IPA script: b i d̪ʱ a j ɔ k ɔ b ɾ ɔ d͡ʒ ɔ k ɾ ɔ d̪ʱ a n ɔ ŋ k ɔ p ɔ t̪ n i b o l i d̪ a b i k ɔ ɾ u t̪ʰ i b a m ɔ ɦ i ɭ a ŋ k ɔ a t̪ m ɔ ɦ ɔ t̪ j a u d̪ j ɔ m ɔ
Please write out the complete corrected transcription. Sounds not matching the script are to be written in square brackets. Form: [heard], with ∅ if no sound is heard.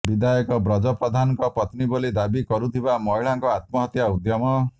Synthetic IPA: b i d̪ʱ a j ɔ k ɔ b ɾ ɔ d͡ʒ ɔ [p] ɾ ɔ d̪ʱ a n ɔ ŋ k ɔ p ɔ t̪ n i b o l i d̪ a b i k ɔ ɾ u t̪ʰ i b a m ɔ ɦ i ɭ a ŋ k ɔ a t̪ m ɔ ɦ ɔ t̪ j a u d̪ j ɔ m ɔ

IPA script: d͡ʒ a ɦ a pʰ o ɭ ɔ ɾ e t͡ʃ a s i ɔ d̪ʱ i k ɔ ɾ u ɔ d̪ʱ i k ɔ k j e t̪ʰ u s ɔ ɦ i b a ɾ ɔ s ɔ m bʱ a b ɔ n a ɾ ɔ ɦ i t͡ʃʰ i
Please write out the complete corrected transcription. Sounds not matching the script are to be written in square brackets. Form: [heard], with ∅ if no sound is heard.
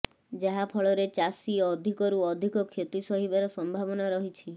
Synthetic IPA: d͡ʒ a ɦ a pʰ [ɔ] ɭ ɔ ɾ e t͡ʃ a s i ɔ d̪ʱ i k ɔ ɾ u ɔ d̪ʱ i k ɔ [kʰ] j e [t̪] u s ɔ ɦ i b a ɾ ɔ s ɔ m bʱ a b ɔ n a ɾ ɔ ɦ i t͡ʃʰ i

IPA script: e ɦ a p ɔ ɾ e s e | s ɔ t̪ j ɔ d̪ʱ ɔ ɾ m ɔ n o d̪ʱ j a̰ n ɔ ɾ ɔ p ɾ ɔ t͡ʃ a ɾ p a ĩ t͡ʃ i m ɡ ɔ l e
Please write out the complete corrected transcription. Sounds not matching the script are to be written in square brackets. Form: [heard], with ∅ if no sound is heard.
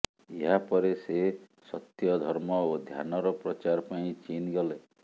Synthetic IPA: e ɦ a p ɔ ɾ e s e | s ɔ t̪ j ɔ d̪ʱ ɔ ɾ m ɔ [∅] o d̪ʱ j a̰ n ɔ ɾ ɔ p ɾ ɔ t͡ʃ a ɾ p a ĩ t͡ʃ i [n] ɡ ɔ l e

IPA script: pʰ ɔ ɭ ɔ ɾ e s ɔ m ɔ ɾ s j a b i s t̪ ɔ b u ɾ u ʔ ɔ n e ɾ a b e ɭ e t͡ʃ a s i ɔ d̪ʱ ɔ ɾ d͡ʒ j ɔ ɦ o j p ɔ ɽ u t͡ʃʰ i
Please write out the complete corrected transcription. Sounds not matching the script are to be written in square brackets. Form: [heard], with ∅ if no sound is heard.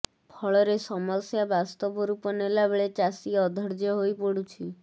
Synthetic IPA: pʰ ɔ ɭ ɔ ɾ e s ɔ m ɔ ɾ s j a b [a] s t̪ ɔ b [ɔ] ɾ u [p] ɔ n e [l] a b e ɭ e t͡ʃ a s i ɔ d̪ʱ ɔ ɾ d͡ʒ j ɔ ɦ o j p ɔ ɽ u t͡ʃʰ i

